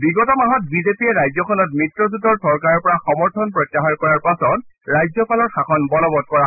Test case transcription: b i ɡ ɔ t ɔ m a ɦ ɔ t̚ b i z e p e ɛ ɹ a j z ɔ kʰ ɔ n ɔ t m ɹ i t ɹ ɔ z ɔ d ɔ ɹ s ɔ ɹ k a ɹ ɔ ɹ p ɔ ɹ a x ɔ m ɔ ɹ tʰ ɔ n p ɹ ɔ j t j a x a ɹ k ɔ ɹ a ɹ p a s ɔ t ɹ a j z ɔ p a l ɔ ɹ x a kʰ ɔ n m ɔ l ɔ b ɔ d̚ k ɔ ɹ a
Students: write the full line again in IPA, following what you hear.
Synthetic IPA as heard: b i ɡ ɔ t ɔ m a ɦ ɔ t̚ b i z e p i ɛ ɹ a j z ɔ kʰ ɔ n ɔ t m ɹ i t ɹ ɔ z u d ɔ ɹ s ɔ ɹ k a ɹ ɔ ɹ p ɔ ɹ a x ɔ m ɔ ɹ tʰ ɔ n p ɹ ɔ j t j a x a ɹ k ɔ ɹ a ɹ p a s ɔ t ɹ a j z ɔ p a l ɔ ɹ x a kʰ ɔ n b ɔ l ɔ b ɔ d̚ k ɔ ɹ a

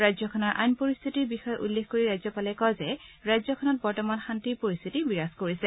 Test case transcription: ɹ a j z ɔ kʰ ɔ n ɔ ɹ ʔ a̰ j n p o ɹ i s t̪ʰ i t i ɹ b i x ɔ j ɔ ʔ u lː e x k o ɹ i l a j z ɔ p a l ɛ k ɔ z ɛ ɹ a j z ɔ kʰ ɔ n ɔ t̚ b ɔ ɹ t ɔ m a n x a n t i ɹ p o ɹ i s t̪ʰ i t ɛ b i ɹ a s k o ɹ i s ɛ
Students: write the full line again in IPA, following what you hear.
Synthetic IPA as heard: ɹ a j z ɔ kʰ ɔ n ɔ ɹ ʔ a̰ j n p o ɹ i s t̪ʰ i t i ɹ b i x ɔ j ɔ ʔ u lː e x k o ɹ i ɹ a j z ɔ p a l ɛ k ɔ z ɛ ɹ a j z ɔ kʰ ɔ n ɔ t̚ b ɔ ɹ t ɔ m a n x a n t i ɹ p o ɹ i s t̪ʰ i t i b i ɹ a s k o ɹ i s ɛ

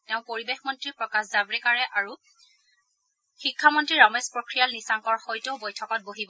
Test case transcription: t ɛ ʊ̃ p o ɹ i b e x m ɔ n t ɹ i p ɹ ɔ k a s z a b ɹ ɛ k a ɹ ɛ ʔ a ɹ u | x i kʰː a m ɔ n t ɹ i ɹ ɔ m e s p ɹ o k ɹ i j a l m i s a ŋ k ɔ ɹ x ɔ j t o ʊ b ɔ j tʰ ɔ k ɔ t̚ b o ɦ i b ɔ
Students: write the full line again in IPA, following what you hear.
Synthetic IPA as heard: t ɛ ʊ̃ p o ɹ i b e x m ɔ n t ɹ i p ɹ ɔ k a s z a b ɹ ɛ k a ɹ ɛ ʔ a ɹ u | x i kʰː a m ɔ n t ɹ i ɹ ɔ m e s p ɹ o k ɹ i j a l n i s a ŋ k ɔ ɹ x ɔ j t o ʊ b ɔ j tʰ ɔ k ɔ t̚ b o ɦ i b ɔ

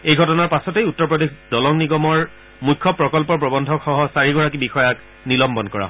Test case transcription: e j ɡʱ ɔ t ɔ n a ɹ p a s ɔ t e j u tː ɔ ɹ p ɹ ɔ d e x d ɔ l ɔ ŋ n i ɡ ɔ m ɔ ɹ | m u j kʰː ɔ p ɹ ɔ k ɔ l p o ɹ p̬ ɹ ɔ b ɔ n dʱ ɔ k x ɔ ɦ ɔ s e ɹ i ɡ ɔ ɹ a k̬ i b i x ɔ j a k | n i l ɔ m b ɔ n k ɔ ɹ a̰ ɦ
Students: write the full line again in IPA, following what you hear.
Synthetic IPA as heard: e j ɡʱ ɔ t ɔ n a ɹ p a s ɔ t e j u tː ɔ ɹ p ɹ ɔ d e x d ɔ l ɔ ŋ n i ɡ ɔ m ɔ ɹ | m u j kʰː ɔ p ɹ ɔ k ɔ l p ɔ ɹ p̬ ɹ ɔ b ɔ n dʱ ɔ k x ɔ ɦ ɔ s a ɹ i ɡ ɔ ɹ a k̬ i b i x ɔ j a k | n i l ɔ m b ɔ n k ɔ ɹ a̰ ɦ

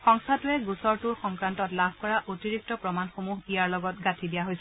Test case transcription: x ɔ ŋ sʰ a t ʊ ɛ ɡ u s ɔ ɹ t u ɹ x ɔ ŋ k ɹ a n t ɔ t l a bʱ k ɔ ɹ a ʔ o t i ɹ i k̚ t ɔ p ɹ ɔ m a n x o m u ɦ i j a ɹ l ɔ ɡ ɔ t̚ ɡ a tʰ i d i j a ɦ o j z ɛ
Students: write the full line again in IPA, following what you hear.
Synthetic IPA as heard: x ɔ ŋ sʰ a t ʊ ɛ ɡ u s ɔ ɹ t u ɹ x ɔ ŋ k ɹ a n t ɔ t l a bʱ k ɔ ɹ a ʔ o t i ɹ i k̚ t ɔ p ɹ ɔ m a n x o m u ɦ i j a ɹ l ɔ ɡ ɔ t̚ ɡ a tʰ i d i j a ɦ o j s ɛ

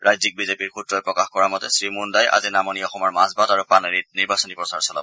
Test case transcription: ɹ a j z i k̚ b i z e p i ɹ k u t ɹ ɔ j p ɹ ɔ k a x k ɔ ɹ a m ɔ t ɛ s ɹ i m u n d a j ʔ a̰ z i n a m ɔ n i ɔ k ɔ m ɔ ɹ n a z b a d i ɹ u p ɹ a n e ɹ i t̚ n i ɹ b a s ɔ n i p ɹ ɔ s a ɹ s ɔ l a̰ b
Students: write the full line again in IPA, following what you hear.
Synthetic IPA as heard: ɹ a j z i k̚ b i z e p i ɹ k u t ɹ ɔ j p ɹ ɔ k a x k ɔ ɹ a m ɔ t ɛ s ɹ i m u n d a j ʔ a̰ z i n a m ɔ n i ɔ x ɔ m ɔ ɹ m a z b a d a ɹ u p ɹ a n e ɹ i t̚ n i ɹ b a s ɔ n i p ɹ ɔ s a ɹ s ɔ l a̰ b

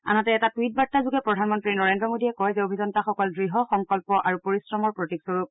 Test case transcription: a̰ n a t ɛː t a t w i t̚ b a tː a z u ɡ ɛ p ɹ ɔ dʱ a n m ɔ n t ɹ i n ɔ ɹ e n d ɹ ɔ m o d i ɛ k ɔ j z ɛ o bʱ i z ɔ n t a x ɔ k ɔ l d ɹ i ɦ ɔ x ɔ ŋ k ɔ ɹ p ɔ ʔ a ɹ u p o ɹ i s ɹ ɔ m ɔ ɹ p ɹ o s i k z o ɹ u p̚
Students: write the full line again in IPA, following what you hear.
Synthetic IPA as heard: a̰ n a t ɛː t a t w i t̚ b a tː a z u ɡ ɛ p ɹ ɔ dʱ a n m ɔ n t ɹ i n ɔ ɹ e n d ɹ ɔ m o d i ɛ k ɔ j z ɛ o bʱ i z ɔ n t a x ɔ k ɔ l d ɹ i ɦ ɔ x ɔ ŋ k ɔ l p ɔ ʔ a ɹ u p o ɹ i s ɹ ɔ m ɔ ɹ p ɹ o t i k s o ɹ u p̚

